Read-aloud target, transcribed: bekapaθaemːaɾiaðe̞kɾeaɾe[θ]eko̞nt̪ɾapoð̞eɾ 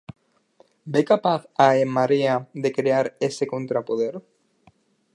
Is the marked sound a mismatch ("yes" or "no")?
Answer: yes